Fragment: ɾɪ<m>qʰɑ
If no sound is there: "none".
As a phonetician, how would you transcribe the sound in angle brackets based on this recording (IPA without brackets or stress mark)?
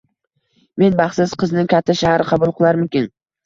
none